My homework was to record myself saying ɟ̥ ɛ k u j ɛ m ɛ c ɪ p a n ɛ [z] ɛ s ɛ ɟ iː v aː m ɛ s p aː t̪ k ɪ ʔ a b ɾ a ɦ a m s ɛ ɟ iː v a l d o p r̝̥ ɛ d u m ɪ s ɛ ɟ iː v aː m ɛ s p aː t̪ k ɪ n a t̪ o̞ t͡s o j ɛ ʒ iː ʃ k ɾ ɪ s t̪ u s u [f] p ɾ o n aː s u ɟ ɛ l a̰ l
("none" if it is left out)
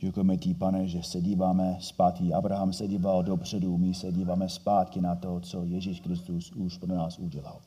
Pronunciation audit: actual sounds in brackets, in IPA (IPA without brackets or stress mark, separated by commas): ʒ, ʃ